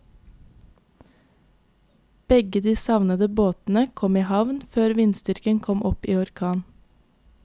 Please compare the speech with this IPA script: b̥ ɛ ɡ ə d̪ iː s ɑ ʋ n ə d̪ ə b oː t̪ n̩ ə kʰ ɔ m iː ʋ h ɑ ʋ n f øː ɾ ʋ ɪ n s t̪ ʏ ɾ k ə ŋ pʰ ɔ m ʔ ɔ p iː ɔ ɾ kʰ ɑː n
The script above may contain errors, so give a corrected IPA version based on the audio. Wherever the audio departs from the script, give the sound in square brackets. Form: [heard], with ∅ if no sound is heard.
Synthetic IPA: b̥ ɛ ɡ ə d̪ iː s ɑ ʋ n ə d̪ ə b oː t̪ n̩ ə kʰ ɔ m iː [∅] h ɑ ʋ n f øː ɾ ʋ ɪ n s t̪ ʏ ɾ k ə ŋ [kʰ] ɔ m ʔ ɔ p iː ɔ ɾ kʰ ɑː n